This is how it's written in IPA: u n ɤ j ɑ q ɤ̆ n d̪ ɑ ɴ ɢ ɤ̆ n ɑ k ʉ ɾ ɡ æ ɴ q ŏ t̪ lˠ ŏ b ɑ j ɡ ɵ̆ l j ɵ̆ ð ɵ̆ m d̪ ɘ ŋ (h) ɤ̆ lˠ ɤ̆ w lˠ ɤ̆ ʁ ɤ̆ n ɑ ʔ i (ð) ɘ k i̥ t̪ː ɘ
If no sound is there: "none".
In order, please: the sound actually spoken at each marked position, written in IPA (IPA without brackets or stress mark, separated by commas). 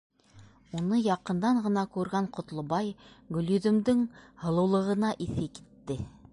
h, θ